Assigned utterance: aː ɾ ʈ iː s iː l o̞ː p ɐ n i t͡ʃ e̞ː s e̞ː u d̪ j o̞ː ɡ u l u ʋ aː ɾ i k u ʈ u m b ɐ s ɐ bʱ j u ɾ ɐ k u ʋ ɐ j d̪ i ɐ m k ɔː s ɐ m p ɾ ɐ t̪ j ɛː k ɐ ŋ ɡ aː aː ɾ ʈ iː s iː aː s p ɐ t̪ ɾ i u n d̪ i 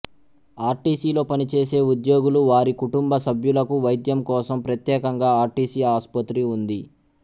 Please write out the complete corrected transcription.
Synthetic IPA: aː ɾ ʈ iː s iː l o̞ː p ɐ n i t͡ʃ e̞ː s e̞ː u d̪ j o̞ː ɡ u l u ʋ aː ɾ i k u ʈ u m b ɐ s ɐ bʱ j u l ɐ k u ʋ ɐ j d̪ j ɐ m k ɔː s ɐ m p ɾ ɐ t̪ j ɛː k ɐ ŋ ɡ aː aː ɾ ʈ iː s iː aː s p ɐ t̪ ɾ i u n d̪ i